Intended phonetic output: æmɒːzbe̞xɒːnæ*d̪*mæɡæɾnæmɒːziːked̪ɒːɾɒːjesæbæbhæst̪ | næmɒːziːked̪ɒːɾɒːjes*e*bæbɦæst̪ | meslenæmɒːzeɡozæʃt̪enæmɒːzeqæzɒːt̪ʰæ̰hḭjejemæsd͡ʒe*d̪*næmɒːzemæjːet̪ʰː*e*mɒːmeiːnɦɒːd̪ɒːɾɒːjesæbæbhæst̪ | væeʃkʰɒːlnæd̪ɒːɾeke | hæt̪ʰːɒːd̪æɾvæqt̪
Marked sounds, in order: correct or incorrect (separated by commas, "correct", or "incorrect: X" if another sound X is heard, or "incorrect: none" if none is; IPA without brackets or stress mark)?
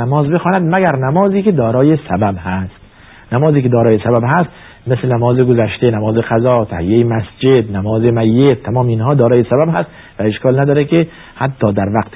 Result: correct, incorrect: æ, correct, incorrect: æ